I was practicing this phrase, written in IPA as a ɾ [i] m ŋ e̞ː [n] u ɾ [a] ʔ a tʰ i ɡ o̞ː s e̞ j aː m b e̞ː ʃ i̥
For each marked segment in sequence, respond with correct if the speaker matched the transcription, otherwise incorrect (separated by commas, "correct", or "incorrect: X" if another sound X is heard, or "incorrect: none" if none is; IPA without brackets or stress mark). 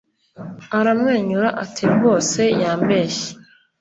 incorrect: a, incorrect: ɲ, correct